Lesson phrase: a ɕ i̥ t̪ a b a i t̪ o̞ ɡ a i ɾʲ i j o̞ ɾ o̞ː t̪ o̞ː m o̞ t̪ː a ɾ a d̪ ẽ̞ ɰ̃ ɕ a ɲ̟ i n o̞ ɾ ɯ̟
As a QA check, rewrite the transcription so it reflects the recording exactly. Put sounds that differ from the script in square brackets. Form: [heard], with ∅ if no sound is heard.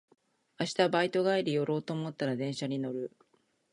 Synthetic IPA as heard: a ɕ i̥ t̪ a b a i t̪ o̞ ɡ a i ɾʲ i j o̞ ɾ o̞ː t̪ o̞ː m o̞ t̪ː a ɾ a d̪ ẽ̞ ɰ̃ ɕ a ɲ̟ i n o̞ ɾ ɯ̟